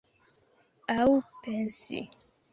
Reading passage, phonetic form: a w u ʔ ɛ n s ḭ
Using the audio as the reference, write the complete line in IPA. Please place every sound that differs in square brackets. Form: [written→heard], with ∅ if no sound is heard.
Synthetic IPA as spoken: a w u [ʔ→p] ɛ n s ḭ